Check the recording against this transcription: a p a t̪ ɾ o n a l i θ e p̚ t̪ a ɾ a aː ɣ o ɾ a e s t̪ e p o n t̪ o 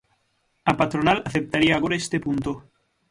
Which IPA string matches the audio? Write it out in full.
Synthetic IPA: a p a t̪ ɾ o n a l a θ e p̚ t̪ a ɾ i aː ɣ o ɾ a e s t̪ e p u n t̪ o